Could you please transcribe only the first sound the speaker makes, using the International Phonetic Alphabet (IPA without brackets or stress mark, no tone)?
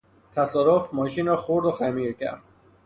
t̪ʰ